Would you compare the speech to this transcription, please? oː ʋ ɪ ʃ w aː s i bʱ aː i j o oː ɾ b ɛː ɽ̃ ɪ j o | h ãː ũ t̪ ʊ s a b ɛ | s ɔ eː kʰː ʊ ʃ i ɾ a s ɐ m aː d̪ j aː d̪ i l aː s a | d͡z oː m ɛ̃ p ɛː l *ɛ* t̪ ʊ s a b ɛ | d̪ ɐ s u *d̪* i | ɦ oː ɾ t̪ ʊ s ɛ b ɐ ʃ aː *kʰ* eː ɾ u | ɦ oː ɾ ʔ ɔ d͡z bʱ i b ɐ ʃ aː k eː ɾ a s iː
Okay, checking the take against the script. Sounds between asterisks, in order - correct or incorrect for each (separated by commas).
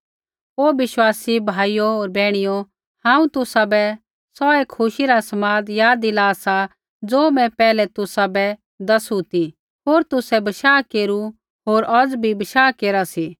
correct, incorrect, incorrect